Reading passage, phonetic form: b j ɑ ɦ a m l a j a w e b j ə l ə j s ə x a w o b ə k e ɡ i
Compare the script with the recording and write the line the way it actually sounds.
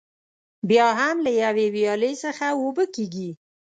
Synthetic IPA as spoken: b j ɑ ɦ a m l a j a w e w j ɑ l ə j s ə x a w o b ə k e ɡ i